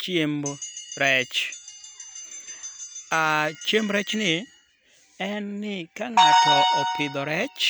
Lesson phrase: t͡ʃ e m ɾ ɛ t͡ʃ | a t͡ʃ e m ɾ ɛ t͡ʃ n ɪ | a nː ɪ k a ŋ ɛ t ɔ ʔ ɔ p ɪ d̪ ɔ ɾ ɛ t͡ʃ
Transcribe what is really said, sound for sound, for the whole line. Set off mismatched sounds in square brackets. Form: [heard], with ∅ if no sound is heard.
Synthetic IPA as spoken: t͡ʃ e m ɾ ɛ t͡ʃ | a t͡ʃ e m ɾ ɛ t͡ʃ n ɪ | [ɛ] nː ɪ k a ŋ [a] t ɔ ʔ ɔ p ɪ d̪ ɔ ɾ ɛ t͡ʃ